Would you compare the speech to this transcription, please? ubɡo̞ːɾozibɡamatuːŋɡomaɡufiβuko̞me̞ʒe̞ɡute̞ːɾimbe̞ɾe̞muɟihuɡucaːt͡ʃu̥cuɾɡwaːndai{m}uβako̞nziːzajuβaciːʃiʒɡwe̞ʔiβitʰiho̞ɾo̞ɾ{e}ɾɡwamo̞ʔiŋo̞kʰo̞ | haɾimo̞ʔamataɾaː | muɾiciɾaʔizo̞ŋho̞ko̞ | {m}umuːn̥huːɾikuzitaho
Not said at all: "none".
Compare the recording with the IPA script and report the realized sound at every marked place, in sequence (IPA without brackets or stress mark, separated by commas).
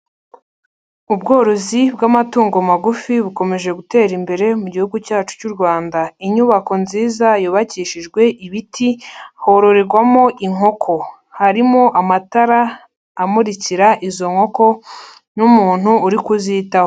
ɲ, e, n